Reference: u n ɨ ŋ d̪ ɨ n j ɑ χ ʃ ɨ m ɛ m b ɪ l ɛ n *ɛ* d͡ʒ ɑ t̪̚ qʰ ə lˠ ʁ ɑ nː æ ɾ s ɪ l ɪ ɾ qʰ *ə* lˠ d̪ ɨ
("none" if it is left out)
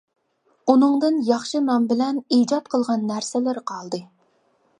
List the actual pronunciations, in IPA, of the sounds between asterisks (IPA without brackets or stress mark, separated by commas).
i, ɑ